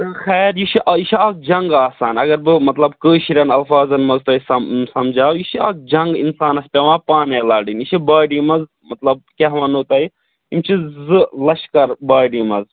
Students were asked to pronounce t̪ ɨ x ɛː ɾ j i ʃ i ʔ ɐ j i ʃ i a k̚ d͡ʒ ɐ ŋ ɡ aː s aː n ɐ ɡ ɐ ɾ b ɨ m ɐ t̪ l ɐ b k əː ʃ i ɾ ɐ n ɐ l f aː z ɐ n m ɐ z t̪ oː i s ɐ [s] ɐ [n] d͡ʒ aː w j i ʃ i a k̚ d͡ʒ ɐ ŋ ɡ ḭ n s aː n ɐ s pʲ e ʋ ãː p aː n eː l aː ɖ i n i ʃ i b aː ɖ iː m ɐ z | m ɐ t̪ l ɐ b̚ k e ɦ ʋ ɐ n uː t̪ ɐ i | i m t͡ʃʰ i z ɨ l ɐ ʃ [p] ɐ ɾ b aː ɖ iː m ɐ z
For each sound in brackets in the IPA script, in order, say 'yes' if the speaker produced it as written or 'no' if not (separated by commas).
yes, no, no